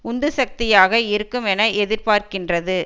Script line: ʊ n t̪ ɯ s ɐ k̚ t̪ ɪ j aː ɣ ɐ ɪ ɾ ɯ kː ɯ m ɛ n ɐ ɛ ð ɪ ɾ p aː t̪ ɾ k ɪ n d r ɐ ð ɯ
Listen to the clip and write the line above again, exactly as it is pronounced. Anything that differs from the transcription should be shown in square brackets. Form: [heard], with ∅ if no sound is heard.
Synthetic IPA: ʊ n [d̪] ɯ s ɐ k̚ t̪ ɪ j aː ɣ ɐ ɪ ɾ ɯ kː ɯ m ɛ n ɐ ɛ ð ɪ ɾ p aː [∅] ɾ k ɪ n d r ɐ ð ɯ